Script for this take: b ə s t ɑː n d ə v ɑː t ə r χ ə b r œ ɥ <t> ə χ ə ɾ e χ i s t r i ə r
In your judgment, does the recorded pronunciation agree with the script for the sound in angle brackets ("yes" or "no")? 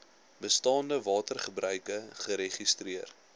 no